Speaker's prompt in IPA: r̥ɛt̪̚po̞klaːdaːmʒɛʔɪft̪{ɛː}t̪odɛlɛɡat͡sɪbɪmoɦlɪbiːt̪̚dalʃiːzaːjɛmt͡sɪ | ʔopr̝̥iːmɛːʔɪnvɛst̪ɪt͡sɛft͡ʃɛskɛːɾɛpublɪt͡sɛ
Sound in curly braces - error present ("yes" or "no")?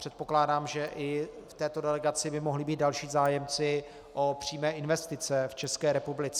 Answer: no